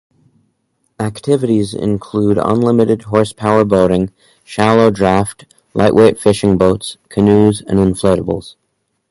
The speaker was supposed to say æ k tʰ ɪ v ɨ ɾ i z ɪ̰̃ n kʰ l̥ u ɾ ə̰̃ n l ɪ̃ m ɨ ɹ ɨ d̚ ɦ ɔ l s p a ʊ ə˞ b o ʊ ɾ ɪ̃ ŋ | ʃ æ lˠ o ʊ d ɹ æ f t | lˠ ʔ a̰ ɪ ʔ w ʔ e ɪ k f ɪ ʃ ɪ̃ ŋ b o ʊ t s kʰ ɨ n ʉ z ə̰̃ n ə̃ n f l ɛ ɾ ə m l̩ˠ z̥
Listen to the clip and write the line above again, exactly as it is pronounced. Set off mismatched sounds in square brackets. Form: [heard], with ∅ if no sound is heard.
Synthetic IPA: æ k tʰ ɪ v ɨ ɾ i z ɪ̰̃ n kʰ l̥ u ɾ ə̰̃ n l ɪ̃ m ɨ [ɾ] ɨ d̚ ɦ ɔ [ɹ] s [pʰ] a ʊ ə˞ b o ʊ ɾ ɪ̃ ŋ | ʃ æ lˠ o ʊ d ɹ æ f t | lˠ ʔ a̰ ɪ ʔ w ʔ e ɪ [t] f ɪ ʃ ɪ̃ ŋ b o ʊ t s kʰ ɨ n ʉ z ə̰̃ n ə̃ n f l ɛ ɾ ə [b] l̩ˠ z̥